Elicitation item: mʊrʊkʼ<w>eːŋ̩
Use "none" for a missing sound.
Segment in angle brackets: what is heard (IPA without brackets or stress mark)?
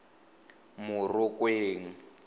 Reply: w